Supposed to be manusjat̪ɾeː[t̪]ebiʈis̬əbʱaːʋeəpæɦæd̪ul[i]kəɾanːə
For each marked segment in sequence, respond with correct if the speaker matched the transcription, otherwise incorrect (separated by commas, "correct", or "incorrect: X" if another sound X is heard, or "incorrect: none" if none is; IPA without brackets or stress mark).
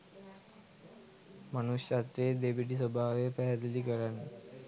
incorrect: d̪, correct